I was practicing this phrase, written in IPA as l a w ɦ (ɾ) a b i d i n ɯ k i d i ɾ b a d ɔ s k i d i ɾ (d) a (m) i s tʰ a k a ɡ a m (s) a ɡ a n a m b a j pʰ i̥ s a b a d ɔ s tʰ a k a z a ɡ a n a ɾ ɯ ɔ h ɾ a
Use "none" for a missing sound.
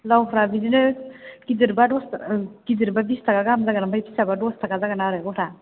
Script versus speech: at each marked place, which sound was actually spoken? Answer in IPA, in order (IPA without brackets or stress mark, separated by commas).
ɾ, b, b, z